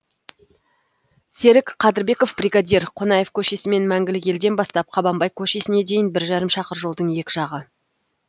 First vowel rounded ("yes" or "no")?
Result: no